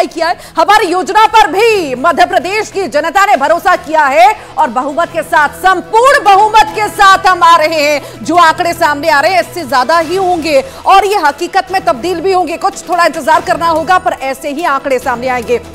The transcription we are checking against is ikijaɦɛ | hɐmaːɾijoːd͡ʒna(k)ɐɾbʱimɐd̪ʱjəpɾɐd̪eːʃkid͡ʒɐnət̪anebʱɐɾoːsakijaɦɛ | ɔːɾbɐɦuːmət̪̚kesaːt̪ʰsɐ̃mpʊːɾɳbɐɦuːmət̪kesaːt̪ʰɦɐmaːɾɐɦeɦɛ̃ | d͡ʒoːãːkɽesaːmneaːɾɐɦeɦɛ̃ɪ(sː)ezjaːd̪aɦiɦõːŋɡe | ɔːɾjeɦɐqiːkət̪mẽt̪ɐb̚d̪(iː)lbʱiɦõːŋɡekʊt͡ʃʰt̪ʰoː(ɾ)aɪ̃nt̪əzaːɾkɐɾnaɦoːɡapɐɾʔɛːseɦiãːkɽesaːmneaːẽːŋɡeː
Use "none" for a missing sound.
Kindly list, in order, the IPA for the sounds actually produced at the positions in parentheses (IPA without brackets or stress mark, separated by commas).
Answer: p, sː, iː, ɽ